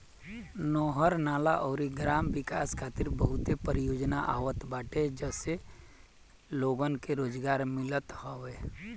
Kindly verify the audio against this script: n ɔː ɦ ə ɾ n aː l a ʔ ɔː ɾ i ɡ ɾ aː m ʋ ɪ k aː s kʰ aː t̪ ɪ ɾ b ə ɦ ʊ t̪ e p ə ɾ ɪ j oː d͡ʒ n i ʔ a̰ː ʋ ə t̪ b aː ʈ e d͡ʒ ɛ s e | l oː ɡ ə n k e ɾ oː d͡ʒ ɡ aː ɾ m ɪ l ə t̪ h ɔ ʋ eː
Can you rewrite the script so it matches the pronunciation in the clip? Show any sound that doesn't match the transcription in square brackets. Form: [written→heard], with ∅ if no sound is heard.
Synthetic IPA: n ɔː ɦ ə ɾ n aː l a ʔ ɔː ɾ i ɡ ɾ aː m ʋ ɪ k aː s kʰ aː t̪ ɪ ɾ b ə ɦ ʊ t̪ e p ə ɾ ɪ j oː d͡ʒ n [i→a] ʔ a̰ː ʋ ə t̪ b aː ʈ e d͡ʒ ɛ s e | l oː ɡ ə n k e ɾ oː d͡ʒ ɡ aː ɾ m ɪ l ə t̪ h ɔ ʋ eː